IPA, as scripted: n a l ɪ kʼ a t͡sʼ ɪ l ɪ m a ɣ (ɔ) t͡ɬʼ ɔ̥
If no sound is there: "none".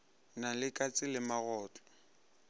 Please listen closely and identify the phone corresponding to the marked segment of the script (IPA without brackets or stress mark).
ɔː